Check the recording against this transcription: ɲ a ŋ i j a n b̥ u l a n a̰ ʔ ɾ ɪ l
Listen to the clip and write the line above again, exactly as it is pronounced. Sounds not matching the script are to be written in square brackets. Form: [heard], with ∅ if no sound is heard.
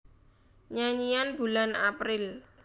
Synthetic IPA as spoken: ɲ a [ɲ] i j a n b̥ u l a n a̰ [p] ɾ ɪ l